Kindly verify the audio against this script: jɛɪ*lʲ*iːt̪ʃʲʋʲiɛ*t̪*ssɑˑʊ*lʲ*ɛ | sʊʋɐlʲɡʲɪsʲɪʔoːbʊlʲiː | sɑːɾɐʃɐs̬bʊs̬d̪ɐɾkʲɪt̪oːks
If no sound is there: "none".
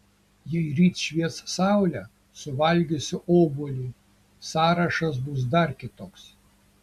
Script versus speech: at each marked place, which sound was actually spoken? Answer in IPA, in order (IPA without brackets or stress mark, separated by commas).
ɾʲ, t̪, lʲ